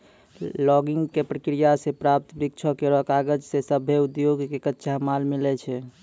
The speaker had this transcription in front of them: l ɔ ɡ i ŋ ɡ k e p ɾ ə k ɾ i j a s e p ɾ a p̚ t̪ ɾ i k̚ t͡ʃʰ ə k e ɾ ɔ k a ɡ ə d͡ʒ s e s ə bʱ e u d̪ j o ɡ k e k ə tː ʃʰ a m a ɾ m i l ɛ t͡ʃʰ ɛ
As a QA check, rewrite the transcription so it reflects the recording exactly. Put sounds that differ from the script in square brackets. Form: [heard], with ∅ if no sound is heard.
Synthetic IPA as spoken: l ɔ ɡ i ŋ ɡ k e p ɾ ə k ɾ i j a s e p ɾ a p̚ t̪ ɾ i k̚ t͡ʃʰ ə k e ɾ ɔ k a ɡ ə d͡ʒ s e s ə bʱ e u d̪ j o ɡ k e k ə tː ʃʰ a m a [l] m i l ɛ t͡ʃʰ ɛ